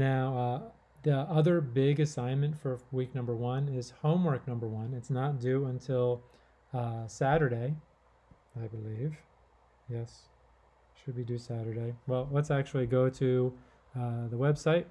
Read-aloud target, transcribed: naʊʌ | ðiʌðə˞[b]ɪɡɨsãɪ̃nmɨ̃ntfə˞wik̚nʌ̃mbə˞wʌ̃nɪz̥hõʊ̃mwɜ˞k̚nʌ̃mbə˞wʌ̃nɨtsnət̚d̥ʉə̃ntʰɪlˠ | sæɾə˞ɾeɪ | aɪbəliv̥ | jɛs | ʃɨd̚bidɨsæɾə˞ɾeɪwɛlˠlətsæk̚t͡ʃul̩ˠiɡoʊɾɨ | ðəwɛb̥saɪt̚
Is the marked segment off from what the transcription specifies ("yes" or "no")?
no